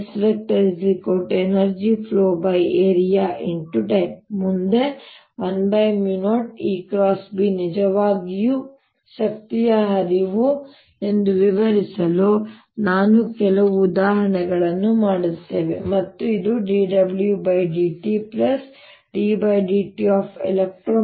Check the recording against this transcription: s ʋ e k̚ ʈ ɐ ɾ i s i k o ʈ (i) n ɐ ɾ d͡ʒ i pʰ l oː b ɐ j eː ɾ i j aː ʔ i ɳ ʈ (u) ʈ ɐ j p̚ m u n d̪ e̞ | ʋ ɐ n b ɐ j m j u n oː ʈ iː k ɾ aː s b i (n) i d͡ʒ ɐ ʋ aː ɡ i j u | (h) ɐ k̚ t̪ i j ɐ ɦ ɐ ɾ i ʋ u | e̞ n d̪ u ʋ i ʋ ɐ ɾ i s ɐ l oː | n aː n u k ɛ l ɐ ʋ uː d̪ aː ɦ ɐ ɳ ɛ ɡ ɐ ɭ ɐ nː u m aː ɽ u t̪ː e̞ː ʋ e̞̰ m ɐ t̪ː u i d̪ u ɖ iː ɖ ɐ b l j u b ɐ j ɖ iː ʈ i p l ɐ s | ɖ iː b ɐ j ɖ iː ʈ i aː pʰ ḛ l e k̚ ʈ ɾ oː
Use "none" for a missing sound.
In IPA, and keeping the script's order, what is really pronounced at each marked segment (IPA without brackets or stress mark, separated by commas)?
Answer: e, u, n, ʃ